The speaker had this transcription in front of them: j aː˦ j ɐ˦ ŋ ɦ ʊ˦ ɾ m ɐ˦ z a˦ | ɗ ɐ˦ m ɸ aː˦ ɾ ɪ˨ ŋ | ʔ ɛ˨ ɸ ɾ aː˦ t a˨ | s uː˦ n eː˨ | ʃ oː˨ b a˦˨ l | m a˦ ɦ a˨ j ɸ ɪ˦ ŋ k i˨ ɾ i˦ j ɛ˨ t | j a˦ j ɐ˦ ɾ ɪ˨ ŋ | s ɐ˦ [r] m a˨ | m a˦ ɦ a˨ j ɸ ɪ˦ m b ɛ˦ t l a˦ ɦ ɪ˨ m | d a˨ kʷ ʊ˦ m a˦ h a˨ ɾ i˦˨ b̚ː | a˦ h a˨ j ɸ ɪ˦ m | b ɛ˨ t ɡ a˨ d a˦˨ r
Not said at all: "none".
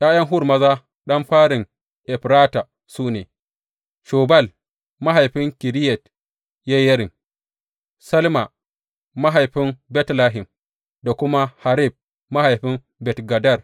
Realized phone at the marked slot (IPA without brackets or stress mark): l